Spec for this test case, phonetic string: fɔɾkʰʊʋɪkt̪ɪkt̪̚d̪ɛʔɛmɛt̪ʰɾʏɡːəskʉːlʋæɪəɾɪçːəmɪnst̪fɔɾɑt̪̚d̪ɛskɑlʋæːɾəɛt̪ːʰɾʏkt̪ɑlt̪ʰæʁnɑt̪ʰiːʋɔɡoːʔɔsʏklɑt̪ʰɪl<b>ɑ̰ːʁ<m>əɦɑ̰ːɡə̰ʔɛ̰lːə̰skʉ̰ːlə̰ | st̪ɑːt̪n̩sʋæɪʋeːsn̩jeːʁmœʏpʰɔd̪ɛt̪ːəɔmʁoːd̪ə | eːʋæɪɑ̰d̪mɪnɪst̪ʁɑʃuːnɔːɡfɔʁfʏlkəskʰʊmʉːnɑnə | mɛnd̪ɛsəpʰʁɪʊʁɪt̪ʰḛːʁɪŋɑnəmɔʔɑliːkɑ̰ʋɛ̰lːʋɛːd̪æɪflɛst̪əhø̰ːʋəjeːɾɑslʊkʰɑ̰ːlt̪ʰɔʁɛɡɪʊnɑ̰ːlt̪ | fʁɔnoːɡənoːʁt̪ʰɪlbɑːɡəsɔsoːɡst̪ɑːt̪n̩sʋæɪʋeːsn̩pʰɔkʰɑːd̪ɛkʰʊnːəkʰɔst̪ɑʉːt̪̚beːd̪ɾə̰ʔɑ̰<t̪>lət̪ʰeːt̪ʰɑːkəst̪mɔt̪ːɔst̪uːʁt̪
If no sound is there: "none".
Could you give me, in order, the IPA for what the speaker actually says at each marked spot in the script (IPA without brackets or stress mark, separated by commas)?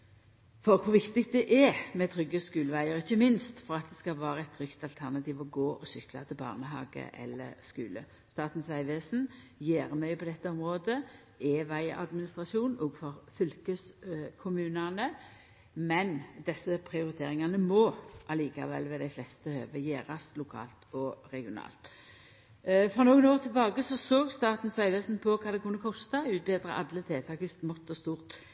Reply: b, n, d̪